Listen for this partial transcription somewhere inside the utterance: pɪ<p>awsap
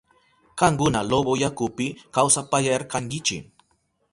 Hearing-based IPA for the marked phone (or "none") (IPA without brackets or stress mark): k